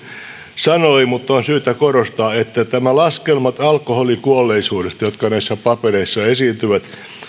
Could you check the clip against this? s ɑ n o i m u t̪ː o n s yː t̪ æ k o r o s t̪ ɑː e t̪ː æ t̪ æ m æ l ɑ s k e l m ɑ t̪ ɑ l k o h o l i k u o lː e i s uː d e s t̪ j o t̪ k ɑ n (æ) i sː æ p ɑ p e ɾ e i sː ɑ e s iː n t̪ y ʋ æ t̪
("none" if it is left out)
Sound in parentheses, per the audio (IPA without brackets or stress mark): æ